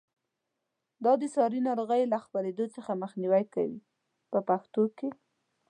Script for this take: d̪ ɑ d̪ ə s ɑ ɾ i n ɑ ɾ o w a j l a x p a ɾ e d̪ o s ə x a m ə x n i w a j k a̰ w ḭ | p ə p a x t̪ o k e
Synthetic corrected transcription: d̪ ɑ d̪ ə s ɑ ɾ i n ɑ ɾ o ɣ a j l a x p a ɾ e d̪ o t͡s ə x a m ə x n i w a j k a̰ w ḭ | p ə p a x t̪ o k e